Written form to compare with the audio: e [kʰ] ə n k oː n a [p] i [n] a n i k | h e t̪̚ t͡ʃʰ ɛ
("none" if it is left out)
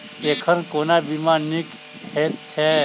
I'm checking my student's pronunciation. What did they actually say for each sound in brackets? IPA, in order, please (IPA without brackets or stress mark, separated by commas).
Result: kʰ, b, m